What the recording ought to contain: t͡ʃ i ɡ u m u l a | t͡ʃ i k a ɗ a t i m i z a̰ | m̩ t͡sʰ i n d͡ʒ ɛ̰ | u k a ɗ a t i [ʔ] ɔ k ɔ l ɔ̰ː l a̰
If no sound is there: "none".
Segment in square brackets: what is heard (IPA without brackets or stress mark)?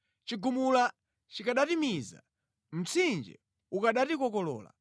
k